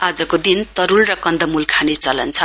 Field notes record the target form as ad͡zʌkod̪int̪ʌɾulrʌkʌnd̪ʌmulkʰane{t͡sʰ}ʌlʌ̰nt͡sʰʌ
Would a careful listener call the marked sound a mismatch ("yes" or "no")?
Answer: yes